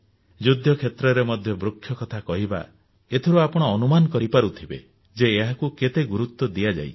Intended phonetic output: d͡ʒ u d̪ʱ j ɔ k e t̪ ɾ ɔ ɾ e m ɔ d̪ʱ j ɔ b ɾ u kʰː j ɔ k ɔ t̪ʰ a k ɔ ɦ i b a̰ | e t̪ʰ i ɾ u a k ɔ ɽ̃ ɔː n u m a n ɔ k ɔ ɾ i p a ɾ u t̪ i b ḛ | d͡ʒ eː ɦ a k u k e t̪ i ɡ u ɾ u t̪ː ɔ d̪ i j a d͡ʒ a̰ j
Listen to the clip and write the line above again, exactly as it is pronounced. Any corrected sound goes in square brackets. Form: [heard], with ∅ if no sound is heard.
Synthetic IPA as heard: d͡ʒ u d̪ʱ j ɔ [kʰ] e t̪ ɾ ɔ ɾ e m ɔ d̪ʱ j ɔ b ɾ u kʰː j ɔ k ɔ t̪ʰ a k ɔ ɦ i b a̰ | e t̪ʰ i ɾ u a [p] ɔ ɽ̃ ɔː n u m a n ɔ k ɔ ɾ i p a ɾ u [t̪ʰ] i b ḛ | d͡ʒ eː ɦ a k u k e t̪ [e] ɡ u ɾ u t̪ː ɔ d̪ i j a d͡ʒ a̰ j